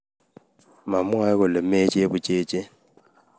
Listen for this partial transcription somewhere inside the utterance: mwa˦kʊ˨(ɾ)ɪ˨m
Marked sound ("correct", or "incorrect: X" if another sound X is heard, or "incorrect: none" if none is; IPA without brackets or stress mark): incorrect: l